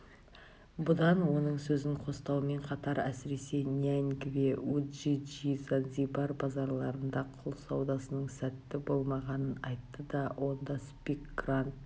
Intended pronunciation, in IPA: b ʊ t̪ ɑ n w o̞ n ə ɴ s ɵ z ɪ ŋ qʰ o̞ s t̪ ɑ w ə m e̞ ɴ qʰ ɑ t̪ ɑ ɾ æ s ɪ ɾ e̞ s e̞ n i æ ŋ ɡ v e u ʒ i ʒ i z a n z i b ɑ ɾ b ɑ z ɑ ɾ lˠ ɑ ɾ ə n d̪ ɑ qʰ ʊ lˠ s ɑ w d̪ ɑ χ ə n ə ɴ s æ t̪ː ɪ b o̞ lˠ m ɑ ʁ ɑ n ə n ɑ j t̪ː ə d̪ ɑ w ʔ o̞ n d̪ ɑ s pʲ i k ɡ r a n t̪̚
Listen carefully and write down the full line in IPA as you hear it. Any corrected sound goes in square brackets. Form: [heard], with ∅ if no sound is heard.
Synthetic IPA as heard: b ʊ [d̪] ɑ n w o̞ n ə ɴ s ɵ z ɪ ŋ qʰ o̞ s t̪ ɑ w ə m e̞ ɴ qʰ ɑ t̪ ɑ ɾ æ s ɪ ɾ e̞ s e̞ n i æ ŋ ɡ v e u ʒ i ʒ i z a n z i b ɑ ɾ b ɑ z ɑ ɾ lˠ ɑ ɾ ə n d̪ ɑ qʰ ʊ lˠ s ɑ w d̪ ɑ [s] ə n ə ɴ s æ t̪ː ɪ b o̞ lˠ m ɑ ʁ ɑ n ə n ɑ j t̪ː ə d̪ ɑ w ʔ o̞ n d̪ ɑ s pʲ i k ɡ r a n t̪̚